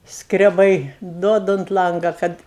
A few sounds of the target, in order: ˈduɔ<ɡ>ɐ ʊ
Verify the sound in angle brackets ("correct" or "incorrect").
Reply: incorrect